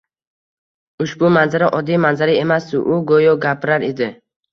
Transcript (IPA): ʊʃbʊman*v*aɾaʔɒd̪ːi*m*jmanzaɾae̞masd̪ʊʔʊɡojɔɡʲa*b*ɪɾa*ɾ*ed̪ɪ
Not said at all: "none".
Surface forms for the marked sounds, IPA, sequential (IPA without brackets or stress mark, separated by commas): z, none, p, ɾ